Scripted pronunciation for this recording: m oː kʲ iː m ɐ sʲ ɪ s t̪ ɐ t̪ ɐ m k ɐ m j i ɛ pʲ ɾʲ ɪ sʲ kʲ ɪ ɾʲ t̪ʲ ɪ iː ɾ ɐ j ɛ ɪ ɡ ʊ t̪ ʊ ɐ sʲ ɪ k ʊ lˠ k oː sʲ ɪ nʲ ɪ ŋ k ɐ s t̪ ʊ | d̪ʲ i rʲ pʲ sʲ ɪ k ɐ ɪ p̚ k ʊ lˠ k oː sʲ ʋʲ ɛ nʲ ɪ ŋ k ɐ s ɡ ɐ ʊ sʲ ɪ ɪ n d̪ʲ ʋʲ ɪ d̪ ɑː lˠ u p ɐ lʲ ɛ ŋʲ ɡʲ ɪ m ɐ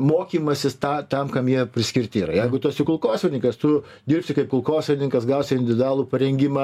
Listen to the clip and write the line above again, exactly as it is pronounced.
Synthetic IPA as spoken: m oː kʲ iː m ɐ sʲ ɪ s t̪ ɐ t̪ ɐ m k ɐ m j i ɛ pʲ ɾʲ ɪ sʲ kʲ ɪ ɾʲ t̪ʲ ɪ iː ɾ ɐ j ɛ ɪ ɡ ʊ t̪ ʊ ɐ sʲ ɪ k ʊ lˠ k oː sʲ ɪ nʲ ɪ ŋ k ɐ s t̪ ʊ | d̪ʲ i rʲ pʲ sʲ ɪ k ɐ ɪ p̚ k ʊ lˠ k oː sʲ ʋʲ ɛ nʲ ɪ ŋ k ɐ s ɡ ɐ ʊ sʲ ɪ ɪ n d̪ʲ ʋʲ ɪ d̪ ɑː lˠ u p ɐ ɾʲ ɛ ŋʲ ɡʲ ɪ m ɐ